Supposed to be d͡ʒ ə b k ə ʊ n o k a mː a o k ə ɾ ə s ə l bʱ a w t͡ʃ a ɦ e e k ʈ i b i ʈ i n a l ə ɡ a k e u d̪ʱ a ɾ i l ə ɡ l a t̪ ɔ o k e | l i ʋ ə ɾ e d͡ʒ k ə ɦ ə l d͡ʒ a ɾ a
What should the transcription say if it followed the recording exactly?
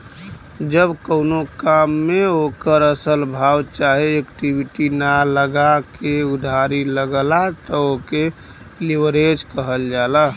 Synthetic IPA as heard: d͡ʒ ə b k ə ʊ n o k a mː e o k ə ɾ ə s ə l bʱ a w t͡ʃ a ɦ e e k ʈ i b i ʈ i n a l ə ɡ a k e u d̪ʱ a ɾ i l ə ɡ l a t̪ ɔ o k e | l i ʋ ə ɾ e d͡ʒ k ə ɦ ə l d͡ʒ a l a